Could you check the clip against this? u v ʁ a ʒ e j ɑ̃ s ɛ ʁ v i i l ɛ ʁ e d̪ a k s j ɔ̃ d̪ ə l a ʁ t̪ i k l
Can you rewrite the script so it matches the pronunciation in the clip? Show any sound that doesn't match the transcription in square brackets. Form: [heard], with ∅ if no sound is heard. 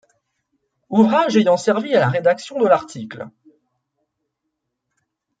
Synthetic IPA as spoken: u v ʁ a ʒ e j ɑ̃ s ɛ ʁ v i [a] l [a] ʁ e d̪ a k s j ɔ̃ d̪ ə l a ʁ t̪ i k l